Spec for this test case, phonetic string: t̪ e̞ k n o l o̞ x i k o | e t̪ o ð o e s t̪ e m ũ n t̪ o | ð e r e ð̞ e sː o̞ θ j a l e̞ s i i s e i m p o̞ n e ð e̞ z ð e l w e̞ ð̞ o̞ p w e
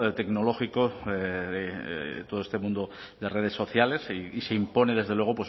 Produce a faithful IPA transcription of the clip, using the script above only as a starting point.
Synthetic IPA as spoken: t̪ e̞ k n o l o̞ x i k o | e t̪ o ð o e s t̪ e m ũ n d̪ o | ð e r e ð̞ e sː o̞ θ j a l e̞ s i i s e i m p o̞ n e ð e̞ z ð e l w e̞ ɣ̞ o̞ p w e